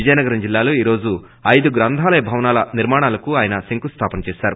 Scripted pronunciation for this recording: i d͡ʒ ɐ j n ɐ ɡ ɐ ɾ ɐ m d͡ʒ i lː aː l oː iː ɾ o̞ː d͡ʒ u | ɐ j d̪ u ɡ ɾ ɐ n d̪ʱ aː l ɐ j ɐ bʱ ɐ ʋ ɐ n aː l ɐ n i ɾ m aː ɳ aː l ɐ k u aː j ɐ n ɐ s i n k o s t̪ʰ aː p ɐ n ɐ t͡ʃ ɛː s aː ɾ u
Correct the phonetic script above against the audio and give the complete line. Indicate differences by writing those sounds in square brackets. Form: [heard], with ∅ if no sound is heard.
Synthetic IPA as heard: i d͡ʒ ɐ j n ɐ ɡ ɐ ɾ ɐ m d͡ʒ i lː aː l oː iː ɾ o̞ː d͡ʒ u | ɐ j d̪ u ɡ ɾ ɐ n d̪ʱ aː l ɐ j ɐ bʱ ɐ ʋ ɐ n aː l ɐ n i ɾ m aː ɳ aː l ɐ k u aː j ɐ n ɐ s i [ŋ] k [u] s t̪ʰ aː p ɐ n ɐ t͡ʃ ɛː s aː ɾ u